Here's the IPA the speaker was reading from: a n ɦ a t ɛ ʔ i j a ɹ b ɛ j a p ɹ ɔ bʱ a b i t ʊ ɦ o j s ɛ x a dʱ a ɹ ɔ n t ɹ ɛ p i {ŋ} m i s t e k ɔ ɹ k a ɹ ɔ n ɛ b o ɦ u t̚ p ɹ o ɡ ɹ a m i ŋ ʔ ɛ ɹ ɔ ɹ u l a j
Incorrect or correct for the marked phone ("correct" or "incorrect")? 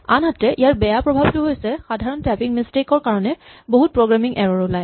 correct